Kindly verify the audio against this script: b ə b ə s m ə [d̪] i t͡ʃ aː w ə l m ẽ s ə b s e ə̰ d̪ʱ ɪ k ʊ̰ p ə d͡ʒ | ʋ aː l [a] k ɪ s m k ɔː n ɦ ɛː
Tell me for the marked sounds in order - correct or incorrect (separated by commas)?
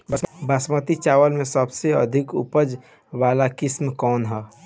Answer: incorrect, correct